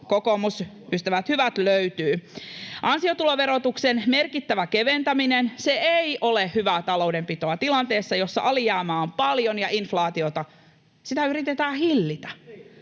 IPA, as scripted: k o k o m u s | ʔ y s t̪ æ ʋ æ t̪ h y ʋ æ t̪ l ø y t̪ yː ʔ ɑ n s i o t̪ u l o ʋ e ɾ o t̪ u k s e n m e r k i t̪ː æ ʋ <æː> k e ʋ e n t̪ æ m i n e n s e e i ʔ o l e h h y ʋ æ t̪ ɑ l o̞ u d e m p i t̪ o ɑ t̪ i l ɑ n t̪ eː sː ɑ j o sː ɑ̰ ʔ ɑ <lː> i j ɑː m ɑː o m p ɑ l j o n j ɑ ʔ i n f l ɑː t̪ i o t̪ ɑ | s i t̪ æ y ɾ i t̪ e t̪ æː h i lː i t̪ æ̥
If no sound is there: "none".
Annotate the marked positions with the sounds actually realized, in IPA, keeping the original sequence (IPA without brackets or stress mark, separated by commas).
æ, l